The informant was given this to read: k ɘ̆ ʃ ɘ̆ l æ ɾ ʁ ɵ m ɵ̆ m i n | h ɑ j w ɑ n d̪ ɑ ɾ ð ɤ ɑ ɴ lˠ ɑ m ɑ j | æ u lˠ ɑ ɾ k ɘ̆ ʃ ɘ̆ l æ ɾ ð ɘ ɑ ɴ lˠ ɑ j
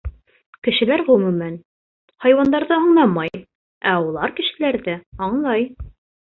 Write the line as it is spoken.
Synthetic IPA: k ɘ̆ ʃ ɘ̆ l æ ɾ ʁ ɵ m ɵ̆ m æ n | h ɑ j w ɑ n d̪ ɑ ɾ ð ɤ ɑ ɴ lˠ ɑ m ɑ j | æ u lˠ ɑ ɾ k ɘ̆ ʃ ɘ̆ l æ ɾ ð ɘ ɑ ɴ lˠ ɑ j